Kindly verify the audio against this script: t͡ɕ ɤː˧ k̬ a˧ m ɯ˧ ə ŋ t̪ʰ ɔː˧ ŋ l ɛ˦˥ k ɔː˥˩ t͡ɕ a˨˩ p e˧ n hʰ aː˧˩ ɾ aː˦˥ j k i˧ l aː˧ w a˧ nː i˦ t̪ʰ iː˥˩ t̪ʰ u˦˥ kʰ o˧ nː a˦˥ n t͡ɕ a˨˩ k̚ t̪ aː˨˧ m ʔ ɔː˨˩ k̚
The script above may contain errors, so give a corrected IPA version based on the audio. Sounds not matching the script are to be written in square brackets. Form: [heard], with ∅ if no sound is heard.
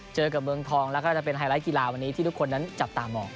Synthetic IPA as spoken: t͡ɕ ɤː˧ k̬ [a˨˩] m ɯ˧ ə ŋ t̪ʰ ɔː˧ ŋ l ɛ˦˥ k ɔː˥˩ t͡ɕ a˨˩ p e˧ n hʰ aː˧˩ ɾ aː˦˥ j k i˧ l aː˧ w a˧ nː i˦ t̪ʰ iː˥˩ [t̪] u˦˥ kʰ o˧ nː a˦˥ n t͡ɕ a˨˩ [p̚] t̪ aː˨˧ m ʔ ɔː˨˩ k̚